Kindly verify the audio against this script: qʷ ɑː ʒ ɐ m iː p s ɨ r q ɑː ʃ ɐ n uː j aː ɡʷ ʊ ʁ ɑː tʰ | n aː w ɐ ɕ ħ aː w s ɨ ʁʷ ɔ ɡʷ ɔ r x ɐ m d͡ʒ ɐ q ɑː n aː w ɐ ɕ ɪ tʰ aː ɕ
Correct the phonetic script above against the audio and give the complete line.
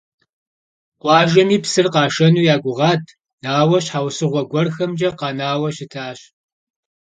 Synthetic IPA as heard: qʷ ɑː ʒ ɐ m iː p s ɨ r q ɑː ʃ ɐ n uː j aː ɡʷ ʊ ʁ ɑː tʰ | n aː w ɐ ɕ ħ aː w s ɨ ʁʷ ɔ ɡʷ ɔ r x ɐ m d͡ʒ ɐ q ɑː n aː w ɐ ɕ ɪ tʰ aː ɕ